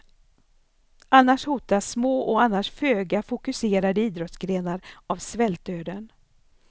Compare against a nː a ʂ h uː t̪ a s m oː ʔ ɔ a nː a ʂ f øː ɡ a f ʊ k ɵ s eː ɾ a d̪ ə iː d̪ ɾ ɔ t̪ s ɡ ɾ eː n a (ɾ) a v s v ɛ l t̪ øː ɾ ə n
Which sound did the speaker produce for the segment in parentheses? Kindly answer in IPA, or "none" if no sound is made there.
ɾ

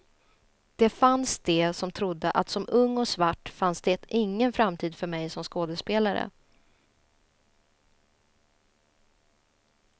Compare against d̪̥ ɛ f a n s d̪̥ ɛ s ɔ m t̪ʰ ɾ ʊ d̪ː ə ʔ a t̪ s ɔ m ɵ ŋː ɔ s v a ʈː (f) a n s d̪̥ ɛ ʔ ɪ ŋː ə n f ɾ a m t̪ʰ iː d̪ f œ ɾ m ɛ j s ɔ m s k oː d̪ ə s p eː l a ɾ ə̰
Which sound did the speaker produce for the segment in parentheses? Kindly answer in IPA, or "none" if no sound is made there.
f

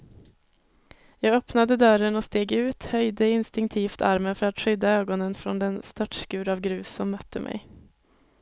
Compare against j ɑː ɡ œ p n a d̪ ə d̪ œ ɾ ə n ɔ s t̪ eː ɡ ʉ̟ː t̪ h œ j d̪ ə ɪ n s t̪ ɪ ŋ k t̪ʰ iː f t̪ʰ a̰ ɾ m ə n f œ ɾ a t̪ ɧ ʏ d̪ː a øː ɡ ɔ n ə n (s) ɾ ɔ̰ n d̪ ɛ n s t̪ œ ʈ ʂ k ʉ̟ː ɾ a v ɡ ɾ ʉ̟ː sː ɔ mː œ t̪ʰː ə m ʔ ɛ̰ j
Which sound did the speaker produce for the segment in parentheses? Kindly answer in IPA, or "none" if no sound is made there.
f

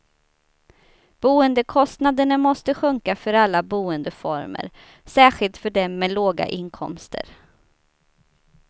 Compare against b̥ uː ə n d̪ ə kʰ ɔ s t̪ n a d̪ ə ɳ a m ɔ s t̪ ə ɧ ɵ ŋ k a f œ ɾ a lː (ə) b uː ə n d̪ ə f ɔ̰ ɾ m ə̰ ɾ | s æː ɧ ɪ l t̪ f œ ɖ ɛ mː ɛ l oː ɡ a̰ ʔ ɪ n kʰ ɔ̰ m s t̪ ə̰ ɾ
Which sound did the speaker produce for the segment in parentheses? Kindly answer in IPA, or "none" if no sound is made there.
a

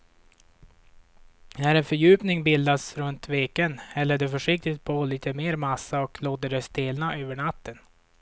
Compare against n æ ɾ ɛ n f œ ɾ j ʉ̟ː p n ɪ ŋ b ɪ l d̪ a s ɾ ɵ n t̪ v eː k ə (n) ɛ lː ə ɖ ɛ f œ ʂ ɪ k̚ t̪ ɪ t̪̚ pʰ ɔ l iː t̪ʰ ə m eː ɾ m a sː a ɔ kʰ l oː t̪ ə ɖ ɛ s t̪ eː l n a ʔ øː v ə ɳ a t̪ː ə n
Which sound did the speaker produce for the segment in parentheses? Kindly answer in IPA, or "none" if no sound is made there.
n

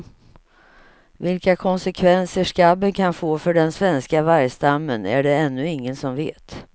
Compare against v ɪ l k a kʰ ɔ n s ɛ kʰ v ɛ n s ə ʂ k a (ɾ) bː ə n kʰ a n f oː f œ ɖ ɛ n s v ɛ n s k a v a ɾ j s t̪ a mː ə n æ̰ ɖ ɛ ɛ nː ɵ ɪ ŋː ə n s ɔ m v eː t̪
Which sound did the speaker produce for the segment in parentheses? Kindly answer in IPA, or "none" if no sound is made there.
none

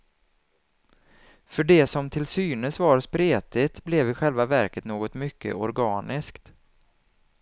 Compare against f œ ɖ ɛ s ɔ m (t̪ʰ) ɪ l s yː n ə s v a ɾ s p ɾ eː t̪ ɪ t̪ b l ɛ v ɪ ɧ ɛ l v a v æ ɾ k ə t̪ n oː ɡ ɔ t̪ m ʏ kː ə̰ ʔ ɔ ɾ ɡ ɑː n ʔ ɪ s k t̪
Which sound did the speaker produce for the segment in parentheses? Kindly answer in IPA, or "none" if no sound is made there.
t̪ʰ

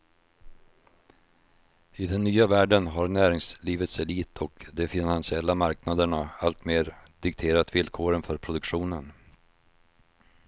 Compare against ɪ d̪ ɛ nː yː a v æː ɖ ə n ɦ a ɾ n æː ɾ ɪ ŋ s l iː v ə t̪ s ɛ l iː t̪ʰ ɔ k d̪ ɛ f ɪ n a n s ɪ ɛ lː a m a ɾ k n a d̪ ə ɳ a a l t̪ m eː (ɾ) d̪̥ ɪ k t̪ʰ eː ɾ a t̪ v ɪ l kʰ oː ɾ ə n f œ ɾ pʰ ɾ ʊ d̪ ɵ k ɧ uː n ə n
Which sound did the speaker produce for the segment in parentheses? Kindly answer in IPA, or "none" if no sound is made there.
ɾ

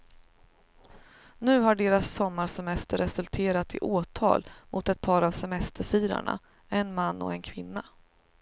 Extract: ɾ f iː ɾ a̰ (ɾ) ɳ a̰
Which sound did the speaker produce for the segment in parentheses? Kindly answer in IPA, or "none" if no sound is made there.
none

